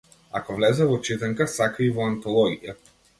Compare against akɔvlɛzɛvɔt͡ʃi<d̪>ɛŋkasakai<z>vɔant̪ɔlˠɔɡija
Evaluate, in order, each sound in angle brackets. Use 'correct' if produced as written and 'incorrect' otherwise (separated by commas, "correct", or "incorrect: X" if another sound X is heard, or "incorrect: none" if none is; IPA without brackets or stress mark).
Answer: incorrect: t̪, incorrect: none